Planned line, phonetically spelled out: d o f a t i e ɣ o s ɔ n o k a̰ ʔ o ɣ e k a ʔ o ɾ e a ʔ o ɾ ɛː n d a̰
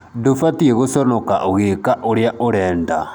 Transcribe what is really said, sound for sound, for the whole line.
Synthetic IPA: d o f a t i e ɣ o s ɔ n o k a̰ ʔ o ɣ e k a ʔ o ɾ e a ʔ o ɾ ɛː n d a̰